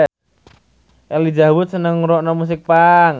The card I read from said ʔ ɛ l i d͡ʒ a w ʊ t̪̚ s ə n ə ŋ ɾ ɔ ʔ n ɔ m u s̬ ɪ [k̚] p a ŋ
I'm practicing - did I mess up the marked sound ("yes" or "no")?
no